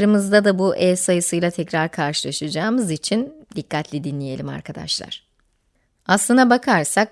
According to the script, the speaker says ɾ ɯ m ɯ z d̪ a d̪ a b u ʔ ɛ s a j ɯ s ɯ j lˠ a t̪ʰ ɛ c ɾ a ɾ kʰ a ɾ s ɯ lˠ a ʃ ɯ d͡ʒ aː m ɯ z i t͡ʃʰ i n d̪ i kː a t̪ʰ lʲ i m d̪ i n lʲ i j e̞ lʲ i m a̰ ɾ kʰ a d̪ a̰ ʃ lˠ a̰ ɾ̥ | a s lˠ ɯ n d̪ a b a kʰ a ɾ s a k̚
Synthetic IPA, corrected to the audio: ɾ ɯ m ɯ z d̪ a d̪ a b u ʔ ɛ s a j ɯ s ɯ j lˠ a t̪ʰ ɛ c ɾ a ɾ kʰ a ɾ ʃ ɯ lˠ a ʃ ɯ d͡ʒ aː m ɯ z i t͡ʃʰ i n d̪ i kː a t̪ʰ lʲ i d̪ i n lʲ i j e̞ lʲ i m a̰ ɾ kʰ a d̪ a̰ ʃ lˠ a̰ ɾ̥ | a s lˠ ɯ n d̪ a b a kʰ a ɾ s a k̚